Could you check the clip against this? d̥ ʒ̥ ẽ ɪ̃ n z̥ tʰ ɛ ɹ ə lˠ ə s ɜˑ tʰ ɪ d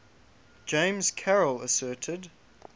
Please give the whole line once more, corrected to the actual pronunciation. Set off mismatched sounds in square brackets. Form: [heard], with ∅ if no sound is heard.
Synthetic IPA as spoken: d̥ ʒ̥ ẽ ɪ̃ [m] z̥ [kʰ] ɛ ɹ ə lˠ ə s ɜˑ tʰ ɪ d